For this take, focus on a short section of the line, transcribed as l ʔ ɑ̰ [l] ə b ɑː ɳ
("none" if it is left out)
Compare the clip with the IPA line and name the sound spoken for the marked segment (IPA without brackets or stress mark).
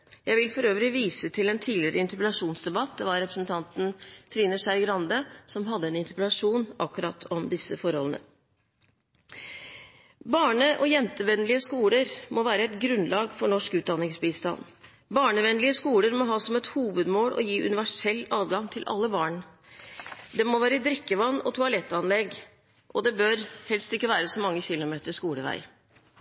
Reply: lː